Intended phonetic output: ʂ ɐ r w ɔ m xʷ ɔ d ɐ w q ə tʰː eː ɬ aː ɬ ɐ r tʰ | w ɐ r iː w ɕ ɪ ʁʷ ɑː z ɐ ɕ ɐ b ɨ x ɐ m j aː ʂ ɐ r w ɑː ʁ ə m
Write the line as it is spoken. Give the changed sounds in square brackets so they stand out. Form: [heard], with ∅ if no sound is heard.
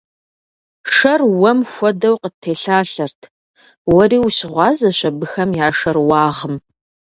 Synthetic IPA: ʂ ɐ r w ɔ m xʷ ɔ d ɐ w q ə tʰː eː ɬ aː ɬ ɐ r tʰ | w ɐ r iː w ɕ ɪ ʁʷ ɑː z ɐ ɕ ɐ b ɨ x ɐ m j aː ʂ ɐ r w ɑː ʁ ə m